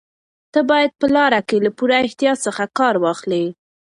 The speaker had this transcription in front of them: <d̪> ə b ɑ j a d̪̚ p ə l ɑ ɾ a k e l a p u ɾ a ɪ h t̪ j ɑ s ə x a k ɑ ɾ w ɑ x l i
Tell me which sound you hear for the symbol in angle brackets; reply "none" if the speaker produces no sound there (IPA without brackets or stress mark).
t̪